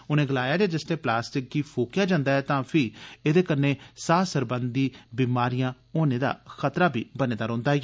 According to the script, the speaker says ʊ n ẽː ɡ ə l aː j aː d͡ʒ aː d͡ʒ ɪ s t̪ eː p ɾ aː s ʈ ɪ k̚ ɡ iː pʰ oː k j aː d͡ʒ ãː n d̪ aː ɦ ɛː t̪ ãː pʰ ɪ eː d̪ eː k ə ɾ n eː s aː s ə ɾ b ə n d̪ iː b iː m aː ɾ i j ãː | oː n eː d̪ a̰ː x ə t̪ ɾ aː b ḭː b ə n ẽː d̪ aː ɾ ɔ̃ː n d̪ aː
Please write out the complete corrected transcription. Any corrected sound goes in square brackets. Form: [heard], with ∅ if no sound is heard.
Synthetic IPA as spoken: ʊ n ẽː ɡ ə l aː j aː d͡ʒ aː d͡ʒ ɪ s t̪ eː p [l] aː s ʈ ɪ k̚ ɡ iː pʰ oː k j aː d͡ʒ ãː n d̪ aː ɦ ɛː t̪ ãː pʰ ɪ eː d̪ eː k ə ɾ n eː s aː s ə ɾ b ə n d̪ iː b iː m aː ɾ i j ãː | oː n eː d̪ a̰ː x ə t̪ ɾ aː b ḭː b ə n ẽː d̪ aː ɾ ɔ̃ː n d̪ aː